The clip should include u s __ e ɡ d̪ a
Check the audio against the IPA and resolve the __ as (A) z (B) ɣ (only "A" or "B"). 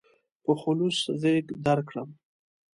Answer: A